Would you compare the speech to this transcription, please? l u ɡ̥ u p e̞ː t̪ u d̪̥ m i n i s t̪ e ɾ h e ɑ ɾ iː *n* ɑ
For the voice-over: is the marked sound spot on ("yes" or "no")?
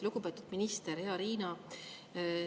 yes